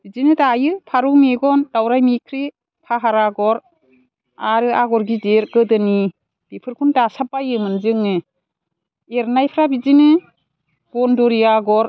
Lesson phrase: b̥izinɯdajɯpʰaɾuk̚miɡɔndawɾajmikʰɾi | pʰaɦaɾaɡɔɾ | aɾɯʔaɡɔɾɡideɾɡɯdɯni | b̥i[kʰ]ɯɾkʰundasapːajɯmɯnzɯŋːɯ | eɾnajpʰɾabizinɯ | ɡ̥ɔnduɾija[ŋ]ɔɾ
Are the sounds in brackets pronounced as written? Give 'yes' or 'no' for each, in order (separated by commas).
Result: no, no